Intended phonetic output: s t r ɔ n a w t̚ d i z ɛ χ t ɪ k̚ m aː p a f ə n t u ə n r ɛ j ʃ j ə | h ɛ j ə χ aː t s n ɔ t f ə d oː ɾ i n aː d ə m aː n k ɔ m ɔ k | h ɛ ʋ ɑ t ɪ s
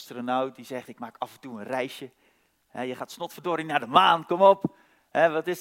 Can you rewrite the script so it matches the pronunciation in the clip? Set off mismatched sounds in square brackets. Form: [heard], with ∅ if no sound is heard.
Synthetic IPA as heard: s t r [o] n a w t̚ d i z ɛ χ t ɪ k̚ m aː [k] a f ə n t u ə n r ɛ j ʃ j ə | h ɛ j ə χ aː t s n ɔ t f ə d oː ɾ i n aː d ə m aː n k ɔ m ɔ [p] | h ɛ ʋ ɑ t ɪ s